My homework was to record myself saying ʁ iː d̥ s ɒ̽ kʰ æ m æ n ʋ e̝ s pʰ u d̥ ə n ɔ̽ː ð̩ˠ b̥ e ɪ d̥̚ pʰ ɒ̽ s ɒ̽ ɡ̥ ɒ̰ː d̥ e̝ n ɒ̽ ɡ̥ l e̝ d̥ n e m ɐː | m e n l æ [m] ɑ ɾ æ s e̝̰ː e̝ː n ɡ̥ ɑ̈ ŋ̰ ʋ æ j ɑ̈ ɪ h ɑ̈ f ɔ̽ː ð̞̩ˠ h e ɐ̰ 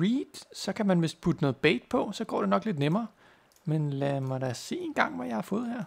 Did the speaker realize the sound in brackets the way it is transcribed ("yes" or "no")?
yes